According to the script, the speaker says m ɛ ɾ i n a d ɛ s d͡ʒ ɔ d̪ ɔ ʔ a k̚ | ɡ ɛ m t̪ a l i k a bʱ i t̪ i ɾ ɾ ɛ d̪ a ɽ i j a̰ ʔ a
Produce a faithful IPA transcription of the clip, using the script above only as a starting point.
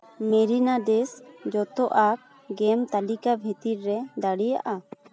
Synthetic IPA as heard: m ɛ ɾ i n a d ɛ s d͡ʒ ɔ t̪ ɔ ʔ a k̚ | ɡ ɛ m t̪ a l i k a bʱ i t̪ i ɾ ɾ ɛ d̪ a ɽ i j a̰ ʔ a